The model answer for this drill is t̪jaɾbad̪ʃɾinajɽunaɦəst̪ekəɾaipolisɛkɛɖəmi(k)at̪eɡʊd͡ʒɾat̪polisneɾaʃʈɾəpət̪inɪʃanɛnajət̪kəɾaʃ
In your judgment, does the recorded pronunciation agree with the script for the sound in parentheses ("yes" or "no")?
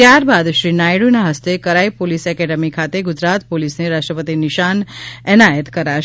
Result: no